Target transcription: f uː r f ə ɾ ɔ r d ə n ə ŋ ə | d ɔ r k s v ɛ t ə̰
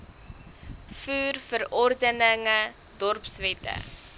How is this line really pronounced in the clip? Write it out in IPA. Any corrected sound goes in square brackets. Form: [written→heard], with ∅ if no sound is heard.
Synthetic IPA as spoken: f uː r f ə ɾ ɔ r d ə n ə ŋ ə | d ɔ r [k→p] s v ɛ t ə̰